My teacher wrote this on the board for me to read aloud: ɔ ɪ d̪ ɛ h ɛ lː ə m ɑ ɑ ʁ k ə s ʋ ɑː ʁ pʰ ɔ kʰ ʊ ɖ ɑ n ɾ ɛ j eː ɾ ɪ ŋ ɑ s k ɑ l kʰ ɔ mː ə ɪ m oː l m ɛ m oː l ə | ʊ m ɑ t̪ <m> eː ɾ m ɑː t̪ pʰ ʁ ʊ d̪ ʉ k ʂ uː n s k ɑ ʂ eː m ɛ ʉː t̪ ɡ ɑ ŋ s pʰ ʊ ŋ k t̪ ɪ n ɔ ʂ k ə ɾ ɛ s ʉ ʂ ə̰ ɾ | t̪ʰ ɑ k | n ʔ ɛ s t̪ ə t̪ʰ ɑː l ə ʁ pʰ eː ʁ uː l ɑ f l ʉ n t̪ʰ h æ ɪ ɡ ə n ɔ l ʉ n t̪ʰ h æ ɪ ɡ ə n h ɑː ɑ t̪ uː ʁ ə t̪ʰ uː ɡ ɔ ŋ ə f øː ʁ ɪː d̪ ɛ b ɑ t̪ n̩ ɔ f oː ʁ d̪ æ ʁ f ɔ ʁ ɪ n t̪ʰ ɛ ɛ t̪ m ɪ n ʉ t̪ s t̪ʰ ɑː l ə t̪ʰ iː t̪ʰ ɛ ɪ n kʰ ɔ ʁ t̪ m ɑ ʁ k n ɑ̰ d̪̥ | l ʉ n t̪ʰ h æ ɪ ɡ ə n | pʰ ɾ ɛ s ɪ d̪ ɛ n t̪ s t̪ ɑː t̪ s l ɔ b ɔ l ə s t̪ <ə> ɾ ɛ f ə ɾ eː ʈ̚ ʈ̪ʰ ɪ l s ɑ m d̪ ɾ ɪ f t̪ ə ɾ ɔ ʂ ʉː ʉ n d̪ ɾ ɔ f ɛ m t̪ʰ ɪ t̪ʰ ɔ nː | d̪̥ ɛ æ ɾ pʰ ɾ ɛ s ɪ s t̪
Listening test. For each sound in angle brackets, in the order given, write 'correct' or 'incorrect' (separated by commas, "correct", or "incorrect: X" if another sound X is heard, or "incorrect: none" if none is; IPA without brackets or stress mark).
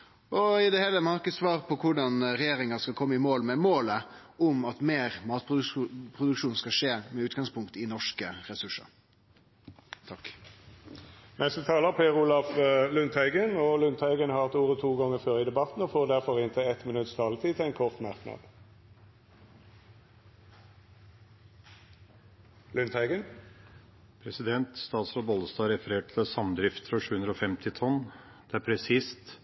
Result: correct, incorrect: ɑ